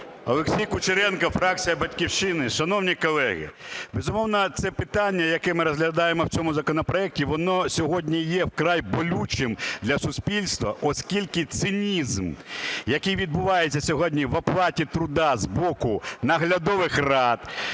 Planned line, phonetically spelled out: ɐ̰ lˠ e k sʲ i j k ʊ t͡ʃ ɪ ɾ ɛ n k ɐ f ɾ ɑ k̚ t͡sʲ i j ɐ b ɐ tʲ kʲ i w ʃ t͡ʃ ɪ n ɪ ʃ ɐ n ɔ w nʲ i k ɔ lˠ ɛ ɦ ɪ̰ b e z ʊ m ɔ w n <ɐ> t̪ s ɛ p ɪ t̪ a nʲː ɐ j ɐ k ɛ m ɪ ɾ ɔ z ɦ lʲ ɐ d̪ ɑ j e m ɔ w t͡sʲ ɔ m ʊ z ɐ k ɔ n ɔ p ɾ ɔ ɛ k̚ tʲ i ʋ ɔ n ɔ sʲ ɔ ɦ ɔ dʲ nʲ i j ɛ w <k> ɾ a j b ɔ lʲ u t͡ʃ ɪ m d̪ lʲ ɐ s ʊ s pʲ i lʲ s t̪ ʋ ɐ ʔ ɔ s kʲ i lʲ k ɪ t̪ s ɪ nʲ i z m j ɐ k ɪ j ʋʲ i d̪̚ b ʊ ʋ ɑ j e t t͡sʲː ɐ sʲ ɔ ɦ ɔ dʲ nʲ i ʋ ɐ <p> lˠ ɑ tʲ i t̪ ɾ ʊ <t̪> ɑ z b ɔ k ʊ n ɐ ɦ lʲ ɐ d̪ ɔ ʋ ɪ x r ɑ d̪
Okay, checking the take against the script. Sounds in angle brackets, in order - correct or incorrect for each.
correct, correct, correct, incorrect: d̪

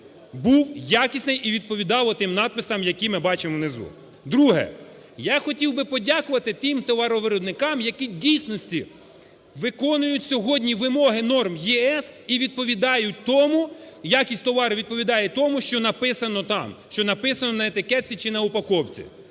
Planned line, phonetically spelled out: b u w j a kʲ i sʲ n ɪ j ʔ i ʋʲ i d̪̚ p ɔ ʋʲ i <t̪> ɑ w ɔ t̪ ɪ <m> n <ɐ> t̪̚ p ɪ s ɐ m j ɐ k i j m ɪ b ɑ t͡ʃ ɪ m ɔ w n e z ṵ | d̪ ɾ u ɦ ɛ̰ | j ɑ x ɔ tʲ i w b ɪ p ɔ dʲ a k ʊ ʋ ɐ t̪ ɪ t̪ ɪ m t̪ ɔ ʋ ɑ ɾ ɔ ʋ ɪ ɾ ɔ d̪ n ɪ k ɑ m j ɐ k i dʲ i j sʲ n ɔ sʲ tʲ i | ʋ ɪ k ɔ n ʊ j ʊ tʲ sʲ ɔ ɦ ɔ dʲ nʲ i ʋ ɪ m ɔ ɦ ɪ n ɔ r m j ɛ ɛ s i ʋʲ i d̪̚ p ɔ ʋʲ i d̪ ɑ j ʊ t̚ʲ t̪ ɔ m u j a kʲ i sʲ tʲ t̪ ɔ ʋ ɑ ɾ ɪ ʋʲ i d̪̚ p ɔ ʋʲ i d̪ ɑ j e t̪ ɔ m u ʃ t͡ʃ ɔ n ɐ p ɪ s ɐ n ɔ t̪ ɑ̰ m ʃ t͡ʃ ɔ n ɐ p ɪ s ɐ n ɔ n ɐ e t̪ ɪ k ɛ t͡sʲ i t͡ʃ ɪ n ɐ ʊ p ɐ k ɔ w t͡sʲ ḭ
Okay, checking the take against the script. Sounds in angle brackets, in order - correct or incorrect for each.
incorrect: d̪, correct, incorrect: ɑ

